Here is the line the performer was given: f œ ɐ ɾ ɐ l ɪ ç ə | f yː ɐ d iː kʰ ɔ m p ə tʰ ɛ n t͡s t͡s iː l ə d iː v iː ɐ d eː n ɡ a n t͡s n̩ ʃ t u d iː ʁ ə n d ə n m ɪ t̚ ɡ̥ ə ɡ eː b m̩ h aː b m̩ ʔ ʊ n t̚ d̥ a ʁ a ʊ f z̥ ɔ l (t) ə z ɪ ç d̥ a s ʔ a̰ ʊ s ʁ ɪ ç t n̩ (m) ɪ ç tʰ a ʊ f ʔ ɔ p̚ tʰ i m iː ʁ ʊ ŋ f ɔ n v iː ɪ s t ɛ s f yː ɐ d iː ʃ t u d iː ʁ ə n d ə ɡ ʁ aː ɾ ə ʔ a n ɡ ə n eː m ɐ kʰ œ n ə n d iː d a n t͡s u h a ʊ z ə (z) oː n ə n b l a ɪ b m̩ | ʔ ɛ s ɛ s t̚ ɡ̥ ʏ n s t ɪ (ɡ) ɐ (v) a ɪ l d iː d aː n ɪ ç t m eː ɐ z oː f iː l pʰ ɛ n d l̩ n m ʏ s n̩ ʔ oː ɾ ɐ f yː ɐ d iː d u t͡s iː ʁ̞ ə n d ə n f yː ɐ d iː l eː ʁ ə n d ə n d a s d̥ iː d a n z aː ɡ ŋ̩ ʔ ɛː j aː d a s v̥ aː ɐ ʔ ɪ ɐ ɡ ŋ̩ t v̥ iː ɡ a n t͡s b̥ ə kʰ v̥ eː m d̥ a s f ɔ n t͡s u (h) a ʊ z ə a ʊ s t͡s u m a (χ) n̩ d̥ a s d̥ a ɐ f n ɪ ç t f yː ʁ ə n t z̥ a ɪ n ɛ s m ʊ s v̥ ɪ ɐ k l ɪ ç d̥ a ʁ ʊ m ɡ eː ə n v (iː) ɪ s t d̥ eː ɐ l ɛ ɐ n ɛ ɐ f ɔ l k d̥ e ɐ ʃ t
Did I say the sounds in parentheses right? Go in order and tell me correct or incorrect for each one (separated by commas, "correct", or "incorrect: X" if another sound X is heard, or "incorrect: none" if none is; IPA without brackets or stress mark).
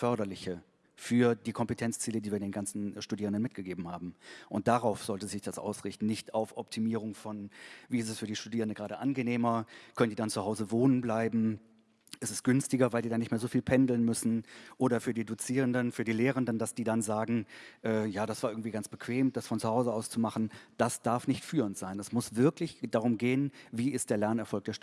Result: correct, incorrect: n, incorrect: v, correct, correct, correct, correct, correct